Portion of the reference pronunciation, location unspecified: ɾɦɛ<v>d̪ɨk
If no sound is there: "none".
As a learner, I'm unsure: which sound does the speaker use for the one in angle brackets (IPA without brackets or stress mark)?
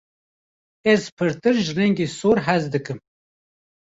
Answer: z